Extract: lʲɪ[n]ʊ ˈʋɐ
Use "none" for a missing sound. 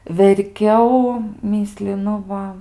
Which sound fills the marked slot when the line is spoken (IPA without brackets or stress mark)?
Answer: n